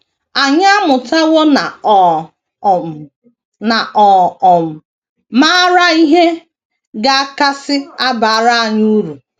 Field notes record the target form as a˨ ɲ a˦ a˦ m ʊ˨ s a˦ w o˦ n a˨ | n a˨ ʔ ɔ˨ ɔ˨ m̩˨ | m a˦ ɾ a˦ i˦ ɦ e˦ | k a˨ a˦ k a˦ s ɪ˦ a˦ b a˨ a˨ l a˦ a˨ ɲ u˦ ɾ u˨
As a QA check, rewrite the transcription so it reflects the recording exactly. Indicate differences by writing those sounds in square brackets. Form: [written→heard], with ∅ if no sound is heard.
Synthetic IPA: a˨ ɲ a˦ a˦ m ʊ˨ [s→t] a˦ w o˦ n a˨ | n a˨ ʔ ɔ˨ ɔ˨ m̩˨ | m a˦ ɾ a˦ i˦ ɦ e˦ | [k→ɡ] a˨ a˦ k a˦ s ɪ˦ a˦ b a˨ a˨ [l→ɾ] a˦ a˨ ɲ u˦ ɾ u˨